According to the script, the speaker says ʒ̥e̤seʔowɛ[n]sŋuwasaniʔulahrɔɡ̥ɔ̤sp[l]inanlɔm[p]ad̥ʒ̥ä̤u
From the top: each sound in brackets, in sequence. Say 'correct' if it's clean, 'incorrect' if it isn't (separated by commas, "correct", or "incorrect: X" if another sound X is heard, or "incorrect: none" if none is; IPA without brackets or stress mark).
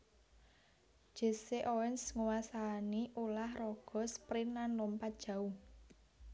correct, incorrect: ɾ, correct